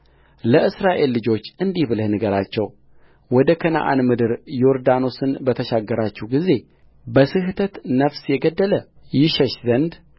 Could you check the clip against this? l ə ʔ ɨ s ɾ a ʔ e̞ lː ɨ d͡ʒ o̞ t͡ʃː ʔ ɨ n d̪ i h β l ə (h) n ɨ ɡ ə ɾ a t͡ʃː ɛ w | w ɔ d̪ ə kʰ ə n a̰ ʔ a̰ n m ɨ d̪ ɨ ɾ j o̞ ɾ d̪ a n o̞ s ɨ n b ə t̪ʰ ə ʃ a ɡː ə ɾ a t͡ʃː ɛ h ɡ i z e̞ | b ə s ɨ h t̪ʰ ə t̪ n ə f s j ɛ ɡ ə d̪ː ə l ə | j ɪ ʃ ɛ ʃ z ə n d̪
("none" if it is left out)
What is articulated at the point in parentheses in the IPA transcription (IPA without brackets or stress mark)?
h